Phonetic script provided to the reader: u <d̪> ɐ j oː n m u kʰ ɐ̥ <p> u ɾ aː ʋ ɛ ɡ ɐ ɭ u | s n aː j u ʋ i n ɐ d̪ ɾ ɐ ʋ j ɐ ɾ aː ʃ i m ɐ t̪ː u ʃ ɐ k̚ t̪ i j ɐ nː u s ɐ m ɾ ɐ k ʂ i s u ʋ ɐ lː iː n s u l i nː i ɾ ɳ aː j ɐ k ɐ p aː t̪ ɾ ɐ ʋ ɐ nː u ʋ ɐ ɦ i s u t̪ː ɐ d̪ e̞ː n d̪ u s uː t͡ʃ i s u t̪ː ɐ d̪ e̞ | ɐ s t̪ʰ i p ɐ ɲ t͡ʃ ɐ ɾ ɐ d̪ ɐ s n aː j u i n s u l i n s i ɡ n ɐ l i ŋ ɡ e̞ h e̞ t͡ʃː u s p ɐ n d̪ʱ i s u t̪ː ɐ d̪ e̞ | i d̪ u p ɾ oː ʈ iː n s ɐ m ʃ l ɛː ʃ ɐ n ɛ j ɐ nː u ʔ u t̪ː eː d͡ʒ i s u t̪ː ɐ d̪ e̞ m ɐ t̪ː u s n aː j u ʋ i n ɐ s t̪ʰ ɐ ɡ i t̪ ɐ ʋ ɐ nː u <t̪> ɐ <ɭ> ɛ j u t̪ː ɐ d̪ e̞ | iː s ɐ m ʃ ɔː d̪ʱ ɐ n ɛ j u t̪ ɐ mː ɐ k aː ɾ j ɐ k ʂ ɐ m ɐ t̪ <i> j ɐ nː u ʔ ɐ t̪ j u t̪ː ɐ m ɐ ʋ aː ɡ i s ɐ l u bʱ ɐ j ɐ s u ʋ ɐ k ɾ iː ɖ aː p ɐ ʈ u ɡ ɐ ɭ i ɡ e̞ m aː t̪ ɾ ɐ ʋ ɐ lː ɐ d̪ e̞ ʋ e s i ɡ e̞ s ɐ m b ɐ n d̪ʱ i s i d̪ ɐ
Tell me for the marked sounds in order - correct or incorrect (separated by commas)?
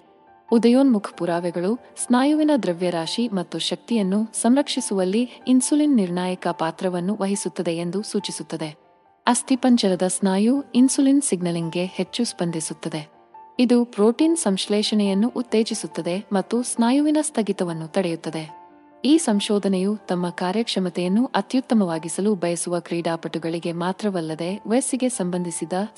correct, correct, correct, incorrect, incorrect